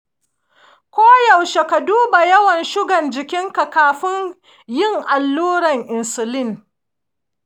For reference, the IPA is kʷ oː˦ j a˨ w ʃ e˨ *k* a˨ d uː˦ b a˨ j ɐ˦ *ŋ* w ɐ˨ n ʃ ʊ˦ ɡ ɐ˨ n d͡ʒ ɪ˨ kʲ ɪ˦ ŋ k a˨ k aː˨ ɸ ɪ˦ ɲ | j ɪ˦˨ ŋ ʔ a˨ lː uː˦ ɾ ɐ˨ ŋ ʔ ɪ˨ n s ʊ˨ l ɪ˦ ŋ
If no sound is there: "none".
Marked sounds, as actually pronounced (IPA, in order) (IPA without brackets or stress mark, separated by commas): k, none